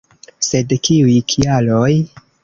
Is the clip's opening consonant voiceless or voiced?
voiceless